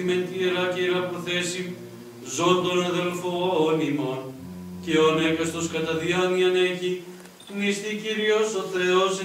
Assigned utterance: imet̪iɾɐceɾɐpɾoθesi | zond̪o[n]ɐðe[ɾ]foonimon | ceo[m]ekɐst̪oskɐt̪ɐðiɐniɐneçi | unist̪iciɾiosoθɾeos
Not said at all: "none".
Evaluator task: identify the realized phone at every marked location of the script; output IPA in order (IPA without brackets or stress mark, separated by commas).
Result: n, l, n